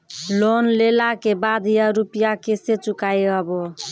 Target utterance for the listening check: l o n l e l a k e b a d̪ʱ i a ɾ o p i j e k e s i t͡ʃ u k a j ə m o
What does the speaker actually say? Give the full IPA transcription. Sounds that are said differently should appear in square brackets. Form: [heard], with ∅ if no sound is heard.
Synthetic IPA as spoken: l o n l e l a k e b a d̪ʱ [j] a ɾ [u] p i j [a] k e s [e] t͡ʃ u k a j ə [b] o